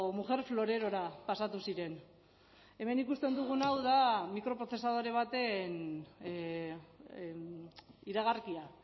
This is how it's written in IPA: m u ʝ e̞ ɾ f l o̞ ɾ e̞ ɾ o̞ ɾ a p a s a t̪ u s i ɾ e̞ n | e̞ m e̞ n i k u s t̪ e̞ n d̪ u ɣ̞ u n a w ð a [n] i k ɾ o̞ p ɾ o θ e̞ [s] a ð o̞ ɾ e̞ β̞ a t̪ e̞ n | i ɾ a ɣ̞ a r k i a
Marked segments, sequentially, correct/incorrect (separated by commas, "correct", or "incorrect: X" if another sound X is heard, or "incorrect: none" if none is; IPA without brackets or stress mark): incorrect: m, correct